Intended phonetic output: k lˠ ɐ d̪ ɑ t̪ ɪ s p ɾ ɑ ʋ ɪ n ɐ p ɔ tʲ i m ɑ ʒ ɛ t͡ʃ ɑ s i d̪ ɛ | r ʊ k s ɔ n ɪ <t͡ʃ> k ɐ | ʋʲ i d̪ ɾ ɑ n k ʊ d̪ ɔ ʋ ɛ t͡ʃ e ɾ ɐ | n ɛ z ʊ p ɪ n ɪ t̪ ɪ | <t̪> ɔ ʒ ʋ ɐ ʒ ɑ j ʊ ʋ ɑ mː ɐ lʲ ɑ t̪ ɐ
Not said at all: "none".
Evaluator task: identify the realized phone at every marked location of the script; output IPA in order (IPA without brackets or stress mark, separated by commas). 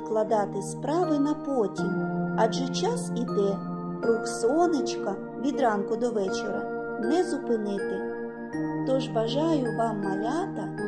t͡ʃ, t̪